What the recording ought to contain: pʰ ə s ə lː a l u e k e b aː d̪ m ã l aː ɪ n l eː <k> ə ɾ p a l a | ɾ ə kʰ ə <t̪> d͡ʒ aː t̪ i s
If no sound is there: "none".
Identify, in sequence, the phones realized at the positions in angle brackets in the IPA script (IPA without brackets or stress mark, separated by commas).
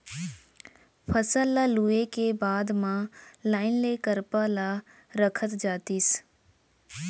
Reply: k, t̪